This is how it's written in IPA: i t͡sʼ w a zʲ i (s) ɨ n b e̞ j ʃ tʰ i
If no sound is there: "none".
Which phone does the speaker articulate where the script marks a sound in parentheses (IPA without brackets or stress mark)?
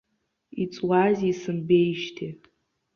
s